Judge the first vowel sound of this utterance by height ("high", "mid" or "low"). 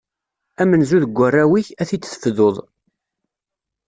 low